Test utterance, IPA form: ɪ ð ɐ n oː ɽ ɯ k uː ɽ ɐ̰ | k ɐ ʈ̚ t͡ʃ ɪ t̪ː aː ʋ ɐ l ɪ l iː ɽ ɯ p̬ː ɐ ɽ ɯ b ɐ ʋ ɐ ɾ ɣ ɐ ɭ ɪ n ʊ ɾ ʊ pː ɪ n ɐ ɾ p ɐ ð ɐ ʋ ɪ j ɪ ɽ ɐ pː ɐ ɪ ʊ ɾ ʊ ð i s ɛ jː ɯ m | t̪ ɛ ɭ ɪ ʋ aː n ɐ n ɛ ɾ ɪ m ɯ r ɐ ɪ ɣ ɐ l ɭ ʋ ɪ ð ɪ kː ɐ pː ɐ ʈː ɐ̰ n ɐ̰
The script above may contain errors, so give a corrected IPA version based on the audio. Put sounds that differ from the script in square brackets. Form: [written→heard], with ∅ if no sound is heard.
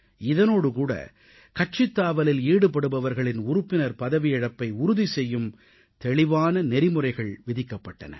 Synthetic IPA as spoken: ɪ ð ɐ n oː ɽ ɯ k uː ɽ ɐ̰ | k ɐ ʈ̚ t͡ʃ ɪ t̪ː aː ʋ ɐ l ɪ l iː ɽ ɯ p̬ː ɐ ɽ ɯ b ɐ ʋ ɐ ɾ ɣ ɐ ɭ ɪ n ʊ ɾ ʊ pː ɪ n ɐ ɾ p ɐ ð ɐ ʋ ɪ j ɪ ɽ ɐ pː ɐ ɪ ʊ ɾ ʊ ð i s ɛ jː ɯ m | t̪ ɛ ɭ ɪ ʋ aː n ɐ n ɛ ɾ ɪ m ɯ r ɐ ɪ ɣ ɐ [l→∅] ɭ ʋ ɪ ð ɪ kː ɐ pː ɐ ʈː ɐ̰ n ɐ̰